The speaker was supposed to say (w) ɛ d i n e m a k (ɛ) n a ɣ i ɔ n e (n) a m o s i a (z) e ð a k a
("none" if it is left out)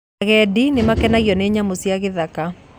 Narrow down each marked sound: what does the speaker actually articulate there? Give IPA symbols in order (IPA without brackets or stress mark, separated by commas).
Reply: ɣ, ɛ, ɲ, ɣ